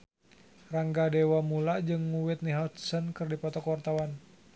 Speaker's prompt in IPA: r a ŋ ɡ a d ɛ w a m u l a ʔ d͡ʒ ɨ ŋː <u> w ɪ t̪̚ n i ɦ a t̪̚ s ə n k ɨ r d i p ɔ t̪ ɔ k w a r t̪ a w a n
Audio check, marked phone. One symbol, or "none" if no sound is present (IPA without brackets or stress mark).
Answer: u